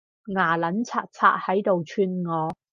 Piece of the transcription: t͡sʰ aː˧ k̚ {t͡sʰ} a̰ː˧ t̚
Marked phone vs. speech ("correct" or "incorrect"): correct